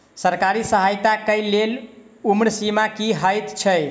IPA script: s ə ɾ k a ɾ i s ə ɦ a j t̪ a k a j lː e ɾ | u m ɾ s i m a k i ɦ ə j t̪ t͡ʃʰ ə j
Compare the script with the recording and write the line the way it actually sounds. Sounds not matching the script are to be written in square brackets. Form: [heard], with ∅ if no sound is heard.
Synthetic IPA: s ə ɾ k a ɾ i s ə ɦ a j t̪ a k [ə] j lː e [l] | u m ɾ s i m a k i ɦ ə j t̪ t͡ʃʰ ə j